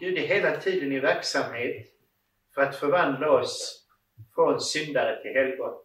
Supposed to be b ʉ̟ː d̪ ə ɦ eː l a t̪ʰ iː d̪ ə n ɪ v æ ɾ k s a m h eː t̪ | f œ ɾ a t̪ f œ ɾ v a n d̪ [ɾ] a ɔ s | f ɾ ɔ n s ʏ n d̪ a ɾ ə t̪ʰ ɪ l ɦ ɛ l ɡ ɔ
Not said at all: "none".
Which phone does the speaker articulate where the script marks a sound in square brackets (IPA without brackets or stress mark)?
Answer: l